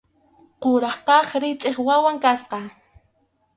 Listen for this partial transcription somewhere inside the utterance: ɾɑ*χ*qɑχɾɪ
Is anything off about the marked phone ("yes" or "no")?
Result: no